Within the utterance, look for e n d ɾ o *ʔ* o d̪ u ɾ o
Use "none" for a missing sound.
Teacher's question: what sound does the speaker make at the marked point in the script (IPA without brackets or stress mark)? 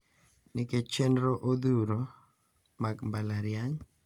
ʔ